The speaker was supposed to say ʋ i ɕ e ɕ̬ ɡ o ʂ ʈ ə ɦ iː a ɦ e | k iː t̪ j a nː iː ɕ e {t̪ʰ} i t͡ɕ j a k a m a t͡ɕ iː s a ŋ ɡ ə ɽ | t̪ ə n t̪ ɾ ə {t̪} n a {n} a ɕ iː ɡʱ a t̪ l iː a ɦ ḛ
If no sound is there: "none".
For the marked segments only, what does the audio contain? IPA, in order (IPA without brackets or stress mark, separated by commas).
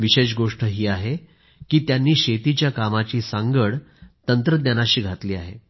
t̪, d̪, n